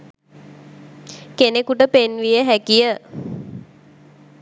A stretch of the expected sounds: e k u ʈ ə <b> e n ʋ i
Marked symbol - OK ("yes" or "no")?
no